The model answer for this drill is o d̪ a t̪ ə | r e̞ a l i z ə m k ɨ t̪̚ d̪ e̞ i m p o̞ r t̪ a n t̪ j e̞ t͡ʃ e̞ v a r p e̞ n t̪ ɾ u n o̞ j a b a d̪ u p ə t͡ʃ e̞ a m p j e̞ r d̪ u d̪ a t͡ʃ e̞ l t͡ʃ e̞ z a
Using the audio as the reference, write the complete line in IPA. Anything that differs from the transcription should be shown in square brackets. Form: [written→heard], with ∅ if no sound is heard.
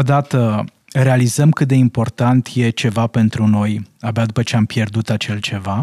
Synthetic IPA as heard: o d̪ a t̪ ə | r e̞ a l i z ə m k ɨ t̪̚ d̪ e̞ i m p o̞ r t̪ a n t̪ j e̞ t͡ʃ e̞ v a [r→∅] p e̞ n t̪ ɾ u n o̞ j a b a d̪ u p ə t͡ʃ e̞ a m p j e̞ r d̪ u [d̪→t̪] a t͡ʃ e̞ l t͡ʃ e̞ [z→v] a